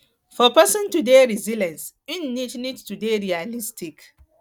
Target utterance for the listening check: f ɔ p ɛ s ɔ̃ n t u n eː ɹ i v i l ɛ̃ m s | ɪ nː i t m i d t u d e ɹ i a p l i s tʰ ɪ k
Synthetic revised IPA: f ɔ p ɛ s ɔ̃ n t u d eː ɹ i z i l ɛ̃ n s | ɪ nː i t n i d t u d e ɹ i a l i s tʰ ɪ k